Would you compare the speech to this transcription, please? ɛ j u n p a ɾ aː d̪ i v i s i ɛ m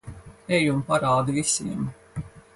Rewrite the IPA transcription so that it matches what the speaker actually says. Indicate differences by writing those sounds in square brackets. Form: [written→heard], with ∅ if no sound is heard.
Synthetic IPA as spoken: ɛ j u [n→m] p a ɾ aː d̪ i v i s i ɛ m